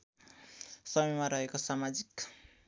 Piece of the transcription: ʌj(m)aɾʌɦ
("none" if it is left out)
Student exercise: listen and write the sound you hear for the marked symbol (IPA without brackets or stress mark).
m